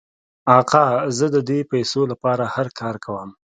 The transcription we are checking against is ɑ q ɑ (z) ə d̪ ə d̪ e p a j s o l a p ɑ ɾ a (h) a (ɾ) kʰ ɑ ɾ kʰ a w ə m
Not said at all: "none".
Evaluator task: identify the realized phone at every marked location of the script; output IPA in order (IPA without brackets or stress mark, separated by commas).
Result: z, h, ɾ